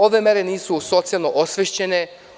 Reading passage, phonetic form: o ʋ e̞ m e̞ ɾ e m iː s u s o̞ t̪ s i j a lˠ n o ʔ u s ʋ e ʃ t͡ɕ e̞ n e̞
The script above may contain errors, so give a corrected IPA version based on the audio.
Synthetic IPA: o ʋ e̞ m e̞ ɾ e n iː s u s o̞ t̪ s i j a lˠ n o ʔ o s ʋ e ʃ t͡ɕ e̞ n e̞